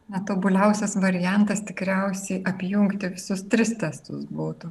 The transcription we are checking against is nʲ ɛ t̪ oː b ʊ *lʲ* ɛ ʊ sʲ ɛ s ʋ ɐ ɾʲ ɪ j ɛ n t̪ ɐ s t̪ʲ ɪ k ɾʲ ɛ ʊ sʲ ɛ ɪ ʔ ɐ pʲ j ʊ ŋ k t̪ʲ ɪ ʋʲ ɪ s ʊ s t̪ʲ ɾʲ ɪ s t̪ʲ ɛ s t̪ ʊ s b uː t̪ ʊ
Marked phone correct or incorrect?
correct